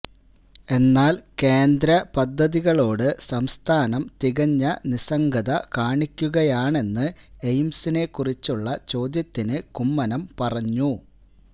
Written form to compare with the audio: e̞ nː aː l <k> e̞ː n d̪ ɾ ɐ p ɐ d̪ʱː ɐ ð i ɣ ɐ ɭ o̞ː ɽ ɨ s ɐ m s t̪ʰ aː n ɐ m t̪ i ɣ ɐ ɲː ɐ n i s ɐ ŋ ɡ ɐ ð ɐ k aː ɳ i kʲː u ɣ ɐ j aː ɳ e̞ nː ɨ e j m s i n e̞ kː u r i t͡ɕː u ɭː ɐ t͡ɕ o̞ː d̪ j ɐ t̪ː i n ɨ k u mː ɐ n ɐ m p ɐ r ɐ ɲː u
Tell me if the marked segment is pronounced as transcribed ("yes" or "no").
yes